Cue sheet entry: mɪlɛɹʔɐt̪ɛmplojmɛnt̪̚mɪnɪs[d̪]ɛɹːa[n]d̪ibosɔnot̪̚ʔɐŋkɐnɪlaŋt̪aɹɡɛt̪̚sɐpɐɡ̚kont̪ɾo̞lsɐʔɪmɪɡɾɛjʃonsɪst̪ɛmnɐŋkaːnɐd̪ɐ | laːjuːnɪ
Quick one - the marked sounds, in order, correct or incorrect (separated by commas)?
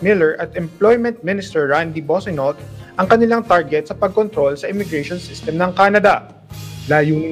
incorrect, correct